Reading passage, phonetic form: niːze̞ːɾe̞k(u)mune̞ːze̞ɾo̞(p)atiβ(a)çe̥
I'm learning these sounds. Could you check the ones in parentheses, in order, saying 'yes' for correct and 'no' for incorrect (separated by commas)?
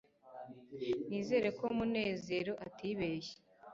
no, no, no